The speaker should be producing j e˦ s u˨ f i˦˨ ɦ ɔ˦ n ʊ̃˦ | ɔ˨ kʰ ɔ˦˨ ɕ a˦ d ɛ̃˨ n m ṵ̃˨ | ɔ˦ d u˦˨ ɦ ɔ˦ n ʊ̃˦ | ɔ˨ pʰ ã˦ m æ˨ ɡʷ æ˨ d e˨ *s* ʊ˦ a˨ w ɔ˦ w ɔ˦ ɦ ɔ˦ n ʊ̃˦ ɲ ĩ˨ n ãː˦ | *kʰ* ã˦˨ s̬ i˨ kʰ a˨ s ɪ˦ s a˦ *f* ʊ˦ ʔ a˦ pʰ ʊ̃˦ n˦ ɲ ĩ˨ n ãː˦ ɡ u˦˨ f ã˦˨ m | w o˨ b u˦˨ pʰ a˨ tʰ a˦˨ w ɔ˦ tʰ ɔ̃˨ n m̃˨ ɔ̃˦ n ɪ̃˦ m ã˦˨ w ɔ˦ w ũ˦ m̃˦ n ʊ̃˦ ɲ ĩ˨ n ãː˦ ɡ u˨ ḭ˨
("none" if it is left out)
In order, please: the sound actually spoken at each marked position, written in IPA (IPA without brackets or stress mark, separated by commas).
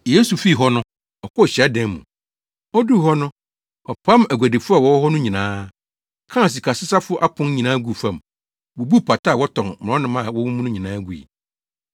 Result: f, kʰ, f